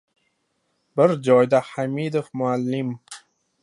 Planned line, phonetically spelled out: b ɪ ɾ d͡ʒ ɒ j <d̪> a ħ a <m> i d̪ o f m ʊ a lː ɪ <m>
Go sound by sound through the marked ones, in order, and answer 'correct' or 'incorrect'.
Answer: correct, correct, correct

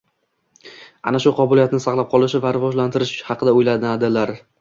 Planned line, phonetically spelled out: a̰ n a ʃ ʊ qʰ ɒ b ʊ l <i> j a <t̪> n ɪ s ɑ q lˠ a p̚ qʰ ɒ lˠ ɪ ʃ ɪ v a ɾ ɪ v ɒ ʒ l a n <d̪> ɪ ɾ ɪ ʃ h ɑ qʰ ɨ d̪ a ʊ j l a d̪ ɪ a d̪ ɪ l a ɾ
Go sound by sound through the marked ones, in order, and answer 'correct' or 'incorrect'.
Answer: correct, correct, incorrect

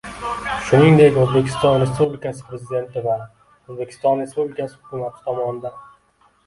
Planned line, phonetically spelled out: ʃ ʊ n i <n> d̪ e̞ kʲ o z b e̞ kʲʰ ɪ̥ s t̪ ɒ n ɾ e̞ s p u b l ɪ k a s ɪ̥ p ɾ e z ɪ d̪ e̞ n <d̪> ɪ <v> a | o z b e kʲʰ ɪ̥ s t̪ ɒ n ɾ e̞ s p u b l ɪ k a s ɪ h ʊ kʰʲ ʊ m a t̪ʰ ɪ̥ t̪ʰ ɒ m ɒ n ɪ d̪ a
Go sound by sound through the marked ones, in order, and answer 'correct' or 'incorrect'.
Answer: incorrect, incorrect, correct

